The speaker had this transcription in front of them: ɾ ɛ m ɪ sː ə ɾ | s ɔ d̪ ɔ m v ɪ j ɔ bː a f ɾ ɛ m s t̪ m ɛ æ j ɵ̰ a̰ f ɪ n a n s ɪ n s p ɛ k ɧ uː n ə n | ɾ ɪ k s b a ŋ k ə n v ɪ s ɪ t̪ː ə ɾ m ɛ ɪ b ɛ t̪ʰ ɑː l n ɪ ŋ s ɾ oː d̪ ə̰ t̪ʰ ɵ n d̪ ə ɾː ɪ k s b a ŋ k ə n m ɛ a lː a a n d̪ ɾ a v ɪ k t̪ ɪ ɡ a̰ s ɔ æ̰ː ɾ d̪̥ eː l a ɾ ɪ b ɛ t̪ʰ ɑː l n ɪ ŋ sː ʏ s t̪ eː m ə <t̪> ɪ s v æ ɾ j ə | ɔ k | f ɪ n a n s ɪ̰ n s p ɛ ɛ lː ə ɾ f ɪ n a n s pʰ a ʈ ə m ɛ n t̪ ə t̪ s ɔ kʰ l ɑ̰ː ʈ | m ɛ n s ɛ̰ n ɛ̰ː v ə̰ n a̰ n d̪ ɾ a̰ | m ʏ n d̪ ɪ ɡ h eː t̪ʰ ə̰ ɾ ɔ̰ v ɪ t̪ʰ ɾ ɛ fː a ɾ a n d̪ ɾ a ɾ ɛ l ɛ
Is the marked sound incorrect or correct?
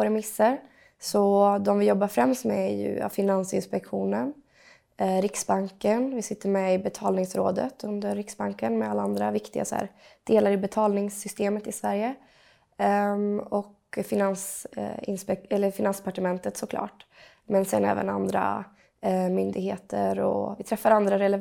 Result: correct